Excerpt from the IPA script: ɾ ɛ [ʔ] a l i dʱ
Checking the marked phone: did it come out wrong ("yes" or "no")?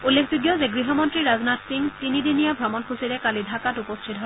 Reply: yes